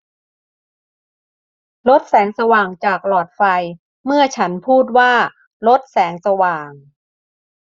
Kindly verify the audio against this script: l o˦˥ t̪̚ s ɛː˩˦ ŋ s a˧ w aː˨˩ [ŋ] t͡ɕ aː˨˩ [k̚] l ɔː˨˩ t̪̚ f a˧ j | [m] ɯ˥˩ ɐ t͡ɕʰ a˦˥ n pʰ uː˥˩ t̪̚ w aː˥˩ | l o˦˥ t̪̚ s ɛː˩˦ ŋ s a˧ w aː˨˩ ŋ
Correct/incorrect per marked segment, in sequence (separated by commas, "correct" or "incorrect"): correct, correct, correct